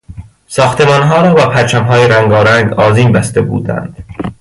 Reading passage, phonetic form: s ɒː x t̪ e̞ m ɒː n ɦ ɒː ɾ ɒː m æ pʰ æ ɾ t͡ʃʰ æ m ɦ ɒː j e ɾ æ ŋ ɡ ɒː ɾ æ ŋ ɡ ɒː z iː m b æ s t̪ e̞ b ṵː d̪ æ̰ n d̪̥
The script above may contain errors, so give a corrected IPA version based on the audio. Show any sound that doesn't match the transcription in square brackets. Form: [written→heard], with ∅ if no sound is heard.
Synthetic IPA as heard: s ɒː x t̪ e̞ m ɒː n ɦ ɒː ɾ ɒː [m→b] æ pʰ æ ɾ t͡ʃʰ æ m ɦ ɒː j e ɾ æ ŋ ɡ ɒː ɾ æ ŋ ɡ ɒː z iː m b æ s t̪ e̞ b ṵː d̪ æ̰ n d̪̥